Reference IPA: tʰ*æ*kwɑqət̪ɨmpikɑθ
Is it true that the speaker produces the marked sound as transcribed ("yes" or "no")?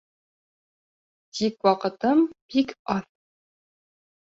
no